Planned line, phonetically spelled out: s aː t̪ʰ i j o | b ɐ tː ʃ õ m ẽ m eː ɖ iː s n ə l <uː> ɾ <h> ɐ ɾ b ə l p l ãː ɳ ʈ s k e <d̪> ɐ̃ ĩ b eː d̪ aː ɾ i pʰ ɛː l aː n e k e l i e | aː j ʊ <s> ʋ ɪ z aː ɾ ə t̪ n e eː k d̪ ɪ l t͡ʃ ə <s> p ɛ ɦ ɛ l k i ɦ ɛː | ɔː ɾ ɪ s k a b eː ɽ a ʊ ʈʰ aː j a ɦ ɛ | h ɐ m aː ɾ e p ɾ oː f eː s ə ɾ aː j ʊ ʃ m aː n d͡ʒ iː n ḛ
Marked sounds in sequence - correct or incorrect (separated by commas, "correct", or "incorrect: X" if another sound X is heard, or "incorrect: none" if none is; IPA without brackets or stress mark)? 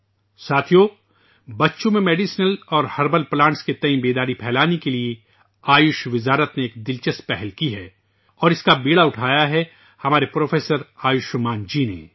incorrect: ɔː, correct, incorrect: t̪, incorrect: ʃ, correct